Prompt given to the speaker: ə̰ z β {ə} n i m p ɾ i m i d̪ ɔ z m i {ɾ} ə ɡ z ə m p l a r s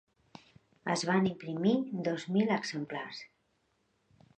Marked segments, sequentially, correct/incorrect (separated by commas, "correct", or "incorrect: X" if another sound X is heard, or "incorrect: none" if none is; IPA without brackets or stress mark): incorrect: a, incorrect: l